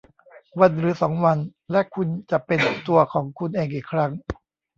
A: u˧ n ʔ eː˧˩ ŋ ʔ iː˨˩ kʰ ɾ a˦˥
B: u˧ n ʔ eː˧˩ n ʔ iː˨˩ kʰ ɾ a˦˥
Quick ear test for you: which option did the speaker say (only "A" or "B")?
A